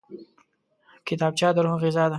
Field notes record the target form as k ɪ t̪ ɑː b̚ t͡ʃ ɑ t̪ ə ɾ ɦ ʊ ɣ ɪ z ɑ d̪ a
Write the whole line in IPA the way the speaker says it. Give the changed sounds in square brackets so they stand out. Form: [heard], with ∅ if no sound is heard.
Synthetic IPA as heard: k ɪ t̪ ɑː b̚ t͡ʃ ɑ [d̪] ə ɾ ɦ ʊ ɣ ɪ z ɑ d̪ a